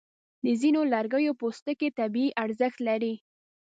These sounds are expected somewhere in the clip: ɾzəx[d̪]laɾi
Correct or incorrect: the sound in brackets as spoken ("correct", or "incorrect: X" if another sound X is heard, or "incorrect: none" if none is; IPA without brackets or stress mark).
incorrect: t̪